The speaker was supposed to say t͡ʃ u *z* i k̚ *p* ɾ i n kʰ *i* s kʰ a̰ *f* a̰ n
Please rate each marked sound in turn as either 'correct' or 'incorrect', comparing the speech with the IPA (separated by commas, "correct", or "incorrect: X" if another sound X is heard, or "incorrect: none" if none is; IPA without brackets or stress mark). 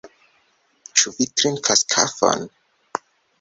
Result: incorrect: v, incorrect: t, incorrect: a, correct